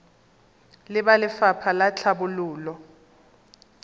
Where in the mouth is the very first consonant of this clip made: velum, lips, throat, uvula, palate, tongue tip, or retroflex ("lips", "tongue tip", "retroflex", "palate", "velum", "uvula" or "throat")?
tongue tip